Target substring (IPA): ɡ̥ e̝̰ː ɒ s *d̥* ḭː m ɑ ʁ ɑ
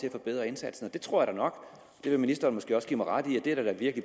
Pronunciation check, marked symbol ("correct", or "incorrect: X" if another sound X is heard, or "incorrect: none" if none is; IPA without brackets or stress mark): incorrect: ɡ̥